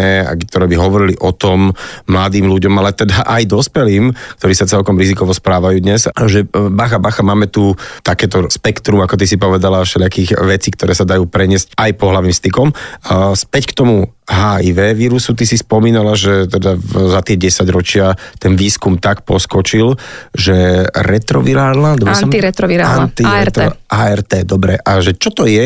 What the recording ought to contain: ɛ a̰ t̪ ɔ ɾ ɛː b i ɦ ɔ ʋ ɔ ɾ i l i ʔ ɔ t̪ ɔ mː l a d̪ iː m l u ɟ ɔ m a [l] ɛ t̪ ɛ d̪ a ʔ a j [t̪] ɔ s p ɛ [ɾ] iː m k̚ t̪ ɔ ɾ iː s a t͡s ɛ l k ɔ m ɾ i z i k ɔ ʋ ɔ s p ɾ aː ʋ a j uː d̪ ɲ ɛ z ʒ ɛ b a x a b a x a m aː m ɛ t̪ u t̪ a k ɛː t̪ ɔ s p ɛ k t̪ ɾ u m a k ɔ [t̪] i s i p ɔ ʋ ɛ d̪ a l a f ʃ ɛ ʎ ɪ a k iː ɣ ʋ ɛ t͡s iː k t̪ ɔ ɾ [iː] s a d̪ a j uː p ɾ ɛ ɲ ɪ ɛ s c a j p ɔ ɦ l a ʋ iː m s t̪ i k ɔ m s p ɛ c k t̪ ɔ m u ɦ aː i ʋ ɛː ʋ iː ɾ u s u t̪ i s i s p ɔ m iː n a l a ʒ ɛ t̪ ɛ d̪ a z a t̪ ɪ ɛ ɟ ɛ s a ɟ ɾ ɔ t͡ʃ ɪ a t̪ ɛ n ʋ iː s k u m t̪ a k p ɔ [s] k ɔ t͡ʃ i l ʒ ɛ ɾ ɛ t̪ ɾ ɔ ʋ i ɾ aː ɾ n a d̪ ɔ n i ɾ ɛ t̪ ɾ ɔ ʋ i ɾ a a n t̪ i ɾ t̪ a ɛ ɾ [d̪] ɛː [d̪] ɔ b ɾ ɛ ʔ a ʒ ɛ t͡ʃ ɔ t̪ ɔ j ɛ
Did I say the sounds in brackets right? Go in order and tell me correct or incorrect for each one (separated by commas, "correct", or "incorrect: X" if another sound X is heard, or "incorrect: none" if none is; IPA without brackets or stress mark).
correct, incorrect: d̪, incorrect: l, correct, incorrect: ɛː, correct, incorrect: t̪, correct